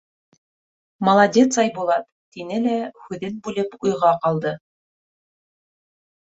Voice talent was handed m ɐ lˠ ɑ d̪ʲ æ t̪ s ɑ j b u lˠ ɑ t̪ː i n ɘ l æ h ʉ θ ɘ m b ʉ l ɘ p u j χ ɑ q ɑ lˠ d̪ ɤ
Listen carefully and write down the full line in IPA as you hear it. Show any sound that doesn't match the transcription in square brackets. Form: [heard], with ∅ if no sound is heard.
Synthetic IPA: m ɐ lˠ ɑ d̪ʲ [e] t̪ s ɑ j b u lˠ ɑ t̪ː i n ɘ l æ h ʉ [ð] ɘ [n] b ʉ l ɘ p u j [ʁ] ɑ q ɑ lˠ d̪ ɤ